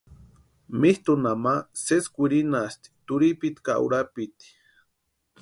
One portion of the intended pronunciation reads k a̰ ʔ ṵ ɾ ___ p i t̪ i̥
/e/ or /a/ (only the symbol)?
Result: a